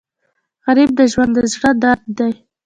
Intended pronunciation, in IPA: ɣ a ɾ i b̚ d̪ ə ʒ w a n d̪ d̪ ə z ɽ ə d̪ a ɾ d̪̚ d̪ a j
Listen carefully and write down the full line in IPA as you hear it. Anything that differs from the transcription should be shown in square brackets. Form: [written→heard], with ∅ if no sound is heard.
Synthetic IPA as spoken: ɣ a ɾ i b̚ d̪ ə ʒ w a n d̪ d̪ ə z ɽ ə d̪ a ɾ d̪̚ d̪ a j